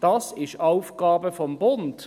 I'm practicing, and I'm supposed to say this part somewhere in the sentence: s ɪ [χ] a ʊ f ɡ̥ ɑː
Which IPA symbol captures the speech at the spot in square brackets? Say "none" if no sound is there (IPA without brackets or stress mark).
ʃ